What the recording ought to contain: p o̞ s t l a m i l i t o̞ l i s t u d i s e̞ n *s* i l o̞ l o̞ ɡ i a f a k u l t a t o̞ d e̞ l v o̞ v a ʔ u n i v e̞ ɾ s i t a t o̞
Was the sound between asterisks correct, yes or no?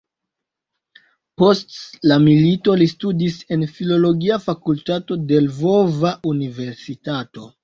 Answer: no